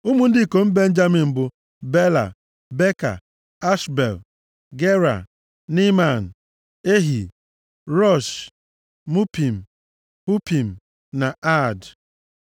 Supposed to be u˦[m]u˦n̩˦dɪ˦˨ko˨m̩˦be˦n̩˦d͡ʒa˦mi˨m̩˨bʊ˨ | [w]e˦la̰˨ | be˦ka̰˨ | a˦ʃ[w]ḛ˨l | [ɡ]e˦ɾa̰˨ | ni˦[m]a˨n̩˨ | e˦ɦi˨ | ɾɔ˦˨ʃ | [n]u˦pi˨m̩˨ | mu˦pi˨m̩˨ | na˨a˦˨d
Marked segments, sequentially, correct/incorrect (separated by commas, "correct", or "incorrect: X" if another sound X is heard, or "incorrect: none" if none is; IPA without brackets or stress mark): correct, incorrect: b, incorrect: b, correct, correct, incorrect: m